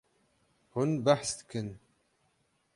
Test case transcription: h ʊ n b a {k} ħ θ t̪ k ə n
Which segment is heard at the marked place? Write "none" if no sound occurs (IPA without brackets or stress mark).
none